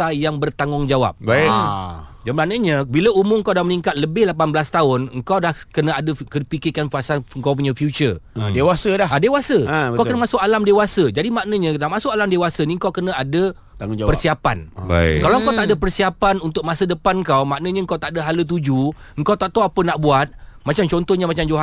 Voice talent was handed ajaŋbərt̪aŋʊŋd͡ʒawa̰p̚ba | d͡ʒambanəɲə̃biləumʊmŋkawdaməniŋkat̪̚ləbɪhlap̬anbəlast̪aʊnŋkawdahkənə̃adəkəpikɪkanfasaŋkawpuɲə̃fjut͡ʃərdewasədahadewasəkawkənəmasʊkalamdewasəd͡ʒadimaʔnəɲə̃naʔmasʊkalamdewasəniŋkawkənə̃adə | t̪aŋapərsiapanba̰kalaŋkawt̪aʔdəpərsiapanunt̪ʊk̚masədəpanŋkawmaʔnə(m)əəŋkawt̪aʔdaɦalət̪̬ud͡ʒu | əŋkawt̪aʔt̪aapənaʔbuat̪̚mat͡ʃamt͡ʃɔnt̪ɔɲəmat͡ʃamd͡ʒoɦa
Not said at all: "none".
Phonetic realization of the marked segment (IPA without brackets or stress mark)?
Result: ɲ